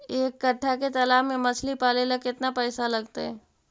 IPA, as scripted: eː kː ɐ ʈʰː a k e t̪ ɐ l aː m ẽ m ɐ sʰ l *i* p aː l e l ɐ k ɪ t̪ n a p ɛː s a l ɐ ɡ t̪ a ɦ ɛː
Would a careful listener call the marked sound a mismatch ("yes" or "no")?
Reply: no